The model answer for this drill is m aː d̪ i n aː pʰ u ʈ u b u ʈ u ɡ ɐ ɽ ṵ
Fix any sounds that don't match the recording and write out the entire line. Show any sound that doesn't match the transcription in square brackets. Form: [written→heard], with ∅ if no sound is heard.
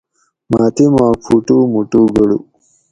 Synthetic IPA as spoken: m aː [d̪→t̪] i [n→m] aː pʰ u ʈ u [b→m] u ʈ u ɡ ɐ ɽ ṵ